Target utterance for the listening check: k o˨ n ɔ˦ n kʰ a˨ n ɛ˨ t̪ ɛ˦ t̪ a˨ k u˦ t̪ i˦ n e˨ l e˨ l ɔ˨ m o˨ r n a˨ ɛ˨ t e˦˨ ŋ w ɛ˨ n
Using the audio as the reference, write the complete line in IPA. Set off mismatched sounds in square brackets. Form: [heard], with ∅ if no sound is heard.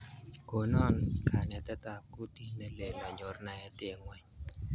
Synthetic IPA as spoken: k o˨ n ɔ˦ n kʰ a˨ n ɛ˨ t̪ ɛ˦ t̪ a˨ k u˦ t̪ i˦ n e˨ l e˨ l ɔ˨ [ɲ] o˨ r n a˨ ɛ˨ t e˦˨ ŋ w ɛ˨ [ɲ]